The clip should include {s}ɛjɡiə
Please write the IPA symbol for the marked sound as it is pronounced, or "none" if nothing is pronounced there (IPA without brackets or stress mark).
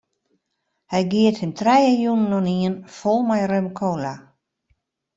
h